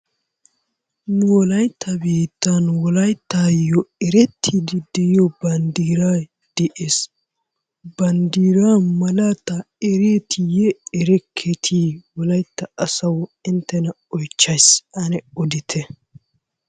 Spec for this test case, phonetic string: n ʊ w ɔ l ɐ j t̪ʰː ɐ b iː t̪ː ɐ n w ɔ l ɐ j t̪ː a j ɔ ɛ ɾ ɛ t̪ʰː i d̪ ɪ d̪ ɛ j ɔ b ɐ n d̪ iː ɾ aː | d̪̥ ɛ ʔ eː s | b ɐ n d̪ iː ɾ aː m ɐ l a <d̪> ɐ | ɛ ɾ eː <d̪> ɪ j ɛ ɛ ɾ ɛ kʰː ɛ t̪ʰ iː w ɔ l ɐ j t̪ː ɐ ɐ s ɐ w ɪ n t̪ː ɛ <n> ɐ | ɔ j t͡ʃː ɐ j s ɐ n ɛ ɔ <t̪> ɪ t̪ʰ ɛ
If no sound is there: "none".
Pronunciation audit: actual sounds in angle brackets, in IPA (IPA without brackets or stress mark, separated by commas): t̪, t̪, n, d̪